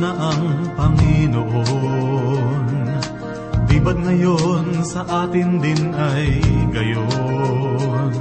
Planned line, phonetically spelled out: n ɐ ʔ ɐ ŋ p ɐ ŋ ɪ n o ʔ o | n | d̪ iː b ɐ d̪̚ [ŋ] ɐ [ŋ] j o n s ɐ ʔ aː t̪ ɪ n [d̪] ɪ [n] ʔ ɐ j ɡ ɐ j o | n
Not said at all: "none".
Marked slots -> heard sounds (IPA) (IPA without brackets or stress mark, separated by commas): ŋ, none, d̪, n